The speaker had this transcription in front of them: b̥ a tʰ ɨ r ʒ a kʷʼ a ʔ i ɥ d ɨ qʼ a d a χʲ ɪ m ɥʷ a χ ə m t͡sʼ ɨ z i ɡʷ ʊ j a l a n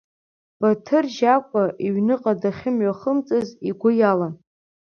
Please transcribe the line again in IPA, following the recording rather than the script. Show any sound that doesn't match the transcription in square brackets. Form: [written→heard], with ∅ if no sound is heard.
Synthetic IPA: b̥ a tʰ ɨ r ʒ a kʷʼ a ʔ i ɥ [d→n] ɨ qʼ a d a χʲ ɪ m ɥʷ a χ ə m t͡sʼ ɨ z i ɡʷ ʊ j a l a n